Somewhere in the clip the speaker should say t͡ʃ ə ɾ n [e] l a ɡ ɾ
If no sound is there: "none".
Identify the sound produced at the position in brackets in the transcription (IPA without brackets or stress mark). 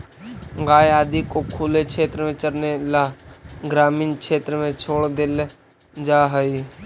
e